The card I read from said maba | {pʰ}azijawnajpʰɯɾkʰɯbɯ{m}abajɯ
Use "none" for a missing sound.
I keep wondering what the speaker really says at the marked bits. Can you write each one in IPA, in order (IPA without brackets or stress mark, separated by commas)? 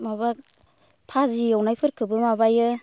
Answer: pʰ, m